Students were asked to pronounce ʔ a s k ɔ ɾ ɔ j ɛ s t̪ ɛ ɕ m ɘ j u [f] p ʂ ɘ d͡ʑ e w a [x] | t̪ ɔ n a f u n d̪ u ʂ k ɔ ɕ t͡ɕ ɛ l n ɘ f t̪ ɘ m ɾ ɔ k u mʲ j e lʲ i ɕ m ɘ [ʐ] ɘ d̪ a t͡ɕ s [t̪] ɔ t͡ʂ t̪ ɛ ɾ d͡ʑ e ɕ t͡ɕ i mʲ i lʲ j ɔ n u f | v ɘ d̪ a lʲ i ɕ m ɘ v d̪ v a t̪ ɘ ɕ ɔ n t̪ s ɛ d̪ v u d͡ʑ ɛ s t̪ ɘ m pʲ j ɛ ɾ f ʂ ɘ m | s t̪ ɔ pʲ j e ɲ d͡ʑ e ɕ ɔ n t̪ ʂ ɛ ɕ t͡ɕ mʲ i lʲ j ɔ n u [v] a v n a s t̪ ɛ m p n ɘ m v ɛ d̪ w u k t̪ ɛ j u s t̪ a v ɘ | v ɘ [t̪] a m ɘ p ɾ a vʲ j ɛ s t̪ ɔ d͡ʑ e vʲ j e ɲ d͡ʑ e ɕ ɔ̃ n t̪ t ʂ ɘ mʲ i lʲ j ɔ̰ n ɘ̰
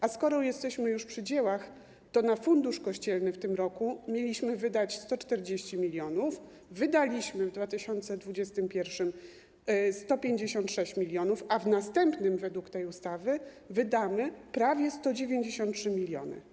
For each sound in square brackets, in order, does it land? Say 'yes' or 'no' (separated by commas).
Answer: no, yes, no, yes, no, no